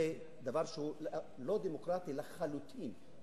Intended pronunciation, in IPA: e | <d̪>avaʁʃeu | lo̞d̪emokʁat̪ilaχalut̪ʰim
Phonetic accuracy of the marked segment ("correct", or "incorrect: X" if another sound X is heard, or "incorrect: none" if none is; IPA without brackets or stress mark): correct